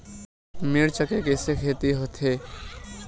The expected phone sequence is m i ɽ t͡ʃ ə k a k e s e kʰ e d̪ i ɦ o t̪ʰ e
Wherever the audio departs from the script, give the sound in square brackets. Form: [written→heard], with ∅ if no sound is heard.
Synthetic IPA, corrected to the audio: m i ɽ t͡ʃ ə k [a→e] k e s e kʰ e [d̪→t̪] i ɦ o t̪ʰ e